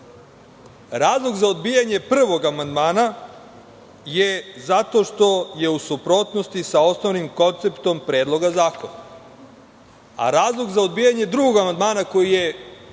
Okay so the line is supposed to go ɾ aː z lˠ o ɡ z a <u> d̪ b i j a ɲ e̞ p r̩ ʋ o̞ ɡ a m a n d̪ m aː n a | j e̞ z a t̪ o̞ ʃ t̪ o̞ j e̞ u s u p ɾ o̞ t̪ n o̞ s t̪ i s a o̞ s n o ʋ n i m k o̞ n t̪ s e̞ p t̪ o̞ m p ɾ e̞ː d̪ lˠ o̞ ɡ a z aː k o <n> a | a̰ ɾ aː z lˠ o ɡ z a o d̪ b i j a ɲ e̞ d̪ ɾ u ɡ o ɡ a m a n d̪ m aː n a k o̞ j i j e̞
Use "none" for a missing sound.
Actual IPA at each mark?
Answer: o, n

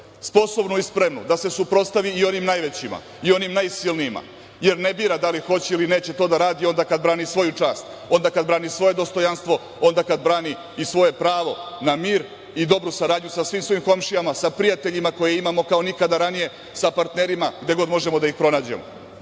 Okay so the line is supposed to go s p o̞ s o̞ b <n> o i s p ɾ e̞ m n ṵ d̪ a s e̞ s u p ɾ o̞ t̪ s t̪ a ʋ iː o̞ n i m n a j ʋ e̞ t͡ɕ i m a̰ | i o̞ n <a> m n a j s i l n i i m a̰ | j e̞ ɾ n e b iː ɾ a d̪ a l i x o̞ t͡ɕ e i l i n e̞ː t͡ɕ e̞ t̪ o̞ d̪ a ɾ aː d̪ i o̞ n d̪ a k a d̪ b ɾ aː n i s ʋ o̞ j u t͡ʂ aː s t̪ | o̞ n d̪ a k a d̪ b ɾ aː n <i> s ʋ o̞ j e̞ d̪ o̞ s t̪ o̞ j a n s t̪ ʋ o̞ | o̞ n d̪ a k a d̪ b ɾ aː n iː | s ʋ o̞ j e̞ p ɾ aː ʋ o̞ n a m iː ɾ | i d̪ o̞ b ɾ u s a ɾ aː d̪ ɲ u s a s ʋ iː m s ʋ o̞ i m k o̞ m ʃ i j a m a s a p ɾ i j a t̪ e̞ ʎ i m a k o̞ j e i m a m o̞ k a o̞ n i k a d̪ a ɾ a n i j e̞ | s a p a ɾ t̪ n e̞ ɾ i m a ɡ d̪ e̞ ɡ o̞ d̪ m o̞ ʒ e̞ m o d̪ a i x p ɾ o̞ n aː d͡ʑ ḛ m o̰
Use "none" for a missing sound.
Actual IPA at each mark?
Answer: n, i, i

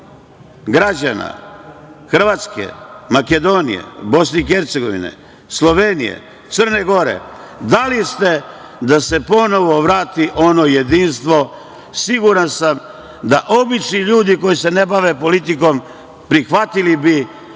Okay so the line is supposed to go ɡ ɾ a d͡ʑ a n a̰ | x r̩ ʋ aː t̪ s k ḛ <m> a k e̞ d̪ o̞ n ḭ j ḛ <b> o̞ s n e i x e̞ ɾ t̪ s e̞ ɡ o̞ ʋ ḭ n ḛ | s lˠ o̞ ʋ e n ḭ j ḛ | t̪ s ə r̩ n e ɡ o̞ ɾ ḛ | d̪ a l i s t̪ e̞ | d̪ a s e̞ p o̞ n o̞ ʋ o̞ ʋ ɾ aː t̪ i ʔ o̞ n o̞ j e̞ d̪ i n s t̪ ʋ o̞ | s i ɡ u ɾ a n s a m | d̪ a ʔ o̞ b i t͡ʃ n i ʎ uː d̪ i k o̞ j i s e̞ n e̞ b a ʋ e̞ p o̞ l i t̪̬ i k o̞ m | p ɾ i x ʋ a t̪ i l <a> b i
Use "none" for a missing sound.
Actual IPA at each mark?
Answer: m, b, i

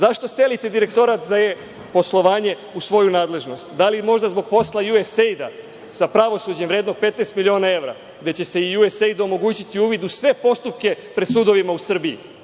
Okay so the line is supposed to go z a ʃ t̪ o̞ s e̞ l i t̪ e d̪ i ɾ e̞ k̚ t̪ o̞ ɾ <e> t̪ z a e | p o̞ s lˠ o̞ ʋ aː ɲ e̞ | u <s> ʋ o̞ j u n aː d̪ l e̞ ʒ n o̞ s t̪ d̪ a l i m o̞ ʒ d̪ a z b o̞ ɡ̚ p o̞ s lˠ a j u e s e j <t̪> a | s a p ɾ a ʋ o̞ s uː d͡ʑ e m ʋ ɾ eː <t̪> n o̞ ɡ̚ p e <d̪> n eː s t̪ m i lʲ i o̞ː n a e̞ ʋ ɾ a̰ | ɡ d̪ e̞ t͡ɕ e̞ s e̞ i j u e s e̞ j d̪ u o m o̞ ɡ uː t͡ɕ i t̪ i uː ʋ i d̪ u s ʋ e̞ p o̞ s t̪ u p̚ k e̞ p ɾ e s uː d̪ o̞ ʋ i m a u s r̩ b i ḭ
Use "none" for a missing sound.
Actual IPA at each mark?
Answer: a, s, d̪, d̪, t̪

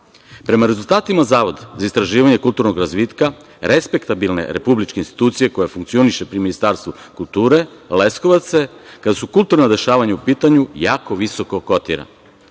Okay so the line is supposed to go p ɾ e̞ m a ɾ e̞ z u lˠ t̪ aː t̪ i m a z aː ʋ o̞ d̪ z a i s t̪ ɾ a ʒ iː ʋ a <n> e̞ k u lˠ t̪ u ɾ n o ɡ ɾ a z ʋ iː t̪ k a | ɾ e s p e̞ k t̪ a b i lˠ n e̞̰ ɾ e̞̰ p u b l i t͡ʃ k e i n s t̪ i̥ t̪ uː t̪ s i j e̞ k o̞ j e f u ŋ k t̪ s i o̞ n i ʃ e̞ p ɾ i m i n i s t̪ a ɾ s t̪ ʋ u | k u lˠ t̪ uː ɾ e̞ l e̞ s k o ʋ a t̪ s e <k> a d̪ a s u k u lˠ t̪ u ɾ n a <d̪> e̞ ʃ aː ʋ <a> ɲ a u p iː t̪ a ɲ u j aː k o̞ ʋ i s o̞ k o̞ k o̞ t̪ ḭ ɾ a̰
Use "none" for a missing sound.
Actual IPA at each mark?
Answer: ɲ, k, d̪, a

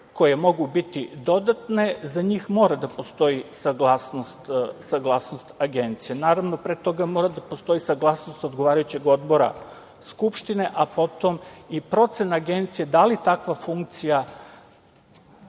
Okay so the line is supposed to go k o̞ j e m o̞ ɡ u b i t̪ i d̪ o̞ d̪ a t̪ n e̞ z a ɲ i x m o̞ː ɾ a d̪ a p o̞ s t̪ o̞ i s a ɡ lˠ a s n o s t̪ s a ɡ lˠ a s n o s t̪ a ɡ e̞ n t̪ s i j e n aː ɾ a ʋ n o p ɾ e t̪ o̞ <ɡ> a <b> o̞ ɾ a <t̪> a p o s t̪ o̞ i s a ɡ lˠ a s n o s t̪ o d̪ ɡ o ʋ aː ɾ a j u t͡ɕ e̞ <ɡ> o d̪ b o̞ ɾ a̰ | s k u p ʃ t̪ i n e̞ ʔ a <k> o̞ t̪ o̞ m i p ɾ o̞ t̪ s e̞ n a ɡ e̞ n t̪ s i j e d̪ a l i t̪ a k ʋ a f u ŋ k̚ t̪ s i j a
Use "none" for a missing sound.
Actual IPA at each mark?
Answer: ɡ, m, d̪, ɡ, p

